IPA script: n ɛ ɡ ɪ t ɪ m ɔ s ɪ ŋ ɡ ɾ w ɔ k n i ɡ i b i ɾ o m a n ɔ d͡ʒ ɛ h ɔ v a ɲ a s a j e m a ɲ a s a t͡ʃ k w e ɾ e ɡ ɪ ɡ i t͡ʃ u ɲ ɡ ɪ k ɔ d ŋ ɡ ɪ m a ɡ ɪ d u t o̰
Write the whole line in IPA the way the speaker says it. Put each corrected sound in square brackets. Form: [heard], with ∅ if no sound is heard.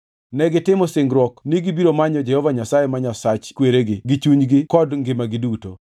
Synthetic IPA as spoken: n ɛ ɡ ɪ t ɪ m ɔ s ɪ ŋ ɡ ɾ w ɔ k n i ɡ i b i ɾ o m a [ɲ] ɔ d͡ʒ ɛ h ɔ v a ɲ a s a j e m a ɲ a s a t͡ʃ k w e ɾ e ɡ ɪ ɡ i t͡ʃ u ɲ ɡ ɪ k ɔ d ŋ ɡ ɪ m a ɡ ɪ d u t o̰